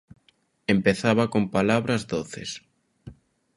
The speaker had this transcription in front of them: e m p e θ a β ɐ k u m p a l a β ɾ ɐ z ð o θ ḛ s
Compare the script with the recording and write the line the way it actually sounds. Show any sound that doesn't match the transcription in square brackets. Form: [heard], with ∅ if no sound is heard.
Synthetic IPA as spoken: e m p e θ a β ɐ k [o] m p a l a β ɾ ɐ z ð o θ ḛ s